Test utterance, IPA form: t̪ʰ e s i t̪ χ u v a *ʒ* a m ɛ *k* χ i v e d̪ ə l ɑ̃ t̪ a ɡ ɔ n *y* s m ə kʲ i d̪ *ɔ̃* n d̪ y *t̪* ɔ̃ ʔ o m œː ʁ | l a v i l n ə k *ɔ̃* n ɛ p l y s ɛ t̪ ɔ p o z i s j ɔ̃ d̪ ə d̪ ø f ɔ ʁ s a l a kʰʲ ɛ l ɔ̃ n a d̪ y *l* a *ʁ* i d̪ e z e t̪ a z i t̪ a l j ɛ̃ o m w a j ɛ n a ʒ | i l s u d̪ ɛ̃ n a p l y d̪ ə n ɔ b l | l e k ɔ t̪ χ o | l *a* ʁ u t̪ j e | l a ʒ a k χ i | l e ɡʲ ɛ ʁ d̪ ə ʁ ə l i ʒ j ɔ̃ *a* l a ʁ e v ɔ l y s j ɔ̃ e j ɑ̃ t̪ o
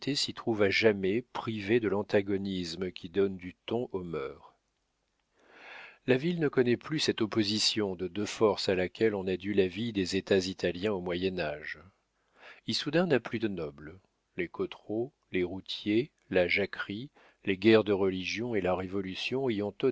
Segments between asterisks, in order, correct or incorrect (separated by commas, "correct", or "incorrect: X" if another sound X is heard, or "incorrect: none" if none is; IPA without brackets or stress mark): correct, incorrect: p, incorrect: i, incorrect: ɔ, correct, incorrect: ɔ, correct, incorrect: v, incorrect: e, incorrect: e